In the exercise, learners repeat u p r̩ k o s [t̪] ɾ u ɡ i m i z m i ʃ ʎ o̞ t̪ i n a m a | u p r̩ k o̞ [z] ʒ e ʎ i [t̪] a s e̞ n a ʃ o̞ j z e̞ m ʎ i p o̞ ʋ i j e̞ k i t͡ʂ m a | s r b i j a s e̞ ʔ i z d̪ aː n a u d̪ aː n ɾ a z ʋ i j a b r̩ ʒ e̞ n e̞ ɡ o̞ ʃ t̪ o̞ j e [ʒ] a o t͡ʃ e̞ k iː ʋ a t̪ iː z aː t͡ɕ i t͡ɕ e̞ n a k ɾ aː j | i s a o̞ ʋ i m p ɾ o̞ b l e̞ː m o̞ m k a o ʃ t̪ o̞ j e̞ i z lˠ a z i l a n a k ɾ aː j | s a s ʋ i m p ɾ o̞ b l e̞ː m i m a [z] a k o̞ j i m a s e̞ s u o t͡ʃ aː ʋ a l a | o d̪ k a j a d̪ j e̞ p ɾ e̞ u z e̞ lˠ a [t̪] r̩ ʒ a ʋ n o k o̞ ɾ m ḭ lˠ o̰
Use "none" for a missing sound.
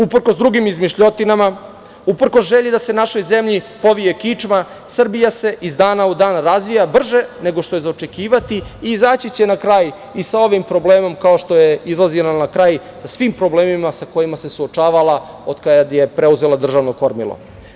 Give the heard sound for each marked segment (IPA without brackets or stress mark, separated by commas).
d̪, s, d̪, z, s, d̪